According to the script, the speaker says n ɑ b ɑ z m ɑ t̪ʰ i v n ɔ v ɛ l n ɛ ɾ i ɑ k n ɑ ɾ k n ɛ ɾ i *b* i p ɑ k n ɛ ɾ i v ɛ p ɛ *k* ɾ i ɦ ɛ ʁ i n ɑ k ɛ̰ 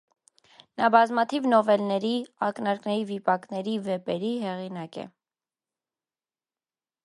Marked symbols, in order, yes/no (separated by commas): no, no